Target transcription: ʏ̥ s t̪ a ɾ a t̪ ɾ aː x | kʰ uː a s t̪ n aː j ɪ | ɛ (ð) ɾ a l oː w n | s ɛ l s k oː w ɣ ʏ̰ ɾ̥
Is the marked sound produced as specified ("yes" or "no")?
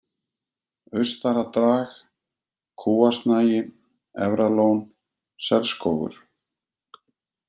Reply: no